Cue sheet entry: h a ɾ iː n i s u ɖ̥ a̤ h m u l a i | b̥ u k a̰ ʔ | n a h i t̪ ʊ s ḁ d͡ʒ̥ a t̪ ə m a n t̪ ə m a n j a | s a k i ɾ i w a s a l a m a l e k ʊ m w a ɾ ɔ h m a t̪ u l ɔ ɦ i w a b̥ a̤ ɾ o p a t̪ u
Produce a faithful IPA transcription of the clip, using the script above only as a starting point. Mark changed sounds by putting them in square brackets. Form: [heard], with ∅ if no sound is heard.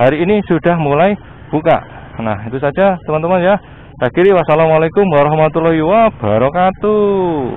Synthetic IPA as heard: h a ɾ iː n i s u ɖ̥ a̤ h m u l a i | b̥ u k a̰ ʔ | n a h i t̪ [u] s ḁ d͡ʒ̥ a t̪ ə m a n t̪ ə m a n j a | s a k i ɾ i w a s a l a m a l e k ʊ m w a ɾ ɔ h m a t̪ u l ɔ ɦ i w a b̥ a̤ ɾ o [k] a t̪ u